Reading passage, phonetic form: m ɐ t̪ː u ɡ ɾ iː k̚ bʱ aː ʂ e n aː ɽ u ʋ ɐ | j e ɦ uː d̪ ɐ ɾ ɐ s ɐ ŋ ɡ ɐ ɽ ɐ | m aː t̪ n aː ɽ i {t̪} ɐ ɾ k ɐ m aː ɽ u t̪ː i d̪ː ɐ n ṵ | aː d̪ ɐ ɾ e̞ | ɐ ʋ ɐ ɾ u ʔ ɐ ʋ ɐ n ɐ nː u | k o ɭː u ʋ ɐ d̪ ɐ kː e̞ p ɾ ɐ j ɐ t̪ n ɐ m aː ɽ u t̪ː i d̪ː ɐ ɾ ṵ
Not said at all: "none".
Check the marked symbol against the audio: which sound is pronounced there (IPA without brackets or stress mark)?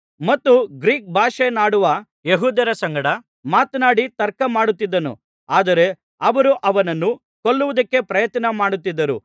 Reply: t̪